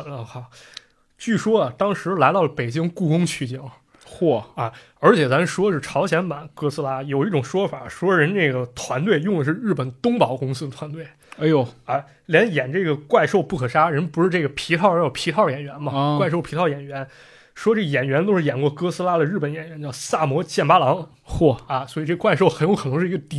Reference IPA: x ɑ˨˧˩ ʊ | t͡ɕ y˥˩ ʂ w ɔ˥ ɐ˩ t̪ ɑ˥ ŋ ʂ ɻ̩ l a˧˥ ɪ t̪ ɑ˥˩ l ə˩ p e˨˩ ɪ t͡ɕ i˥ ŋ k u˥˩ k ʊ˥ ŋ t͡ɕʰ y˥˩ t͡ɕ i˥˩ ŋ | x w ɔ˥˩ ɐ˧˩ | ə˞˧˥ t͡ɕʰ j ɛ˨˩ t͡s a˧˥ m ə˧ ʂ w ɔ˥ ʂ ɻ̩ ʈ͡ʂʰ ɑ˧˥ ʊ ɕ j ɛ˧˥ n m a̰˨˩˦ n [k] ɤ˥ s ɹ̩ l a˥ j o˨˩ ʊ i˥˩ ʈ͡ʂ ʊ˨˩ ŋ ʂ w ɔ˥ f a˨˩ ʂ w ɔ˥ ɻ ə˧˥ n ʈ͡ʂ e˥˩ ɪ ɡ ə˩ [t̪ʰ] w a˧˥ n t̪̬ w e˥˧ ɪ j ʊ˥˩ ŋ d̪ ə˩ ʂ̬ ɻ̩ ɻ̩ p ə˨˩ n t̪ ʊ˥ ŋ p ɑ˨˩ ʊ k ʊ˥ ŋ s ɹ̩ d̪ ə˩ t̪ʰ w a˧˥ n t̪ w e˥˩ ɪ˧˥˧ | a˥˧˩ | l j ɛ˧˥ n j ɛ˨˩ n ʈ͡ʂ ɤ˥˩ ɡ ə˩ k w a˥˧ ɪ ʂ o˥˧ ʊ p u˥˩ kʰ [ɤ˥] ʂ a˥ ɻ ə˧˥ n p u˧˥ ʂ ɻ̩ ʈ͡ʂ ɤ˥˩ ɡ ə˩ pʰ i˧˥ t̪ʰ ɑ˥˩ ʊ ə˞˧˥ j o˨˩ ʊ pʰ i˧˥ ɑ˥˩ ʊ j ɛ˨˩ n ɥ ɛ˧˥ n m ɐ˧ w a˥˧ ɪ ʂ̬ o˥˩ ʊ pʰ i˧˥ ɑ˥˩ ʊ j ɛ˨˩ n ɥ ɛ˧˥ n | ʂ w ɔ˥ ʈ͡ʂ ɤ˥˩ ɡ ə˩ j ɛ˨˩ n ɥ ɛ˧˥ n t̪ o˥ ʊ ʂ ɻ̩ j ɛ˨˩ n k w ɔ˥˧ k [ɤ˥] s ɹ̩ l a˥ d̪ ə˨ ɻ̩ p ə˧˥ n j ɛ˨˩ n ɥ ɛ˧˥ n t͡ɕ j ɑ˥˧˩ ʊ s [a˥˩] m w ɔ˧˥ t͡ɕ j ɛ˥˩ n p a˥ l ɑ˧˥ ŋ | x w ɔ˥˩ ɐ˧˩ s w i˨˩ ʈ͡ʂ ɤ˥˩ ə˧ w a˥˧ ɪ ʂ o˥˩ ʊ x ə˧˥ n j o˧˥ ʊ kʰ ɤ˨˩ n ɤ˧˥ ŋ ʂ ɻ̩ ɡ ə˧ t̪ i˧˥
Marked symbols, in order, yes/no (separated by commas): yes, yes, no, yes, yes